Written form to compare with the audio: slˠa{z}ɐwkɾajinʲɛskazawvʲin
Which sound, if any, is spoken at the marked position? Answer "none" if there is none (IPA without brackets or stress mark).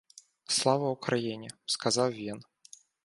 v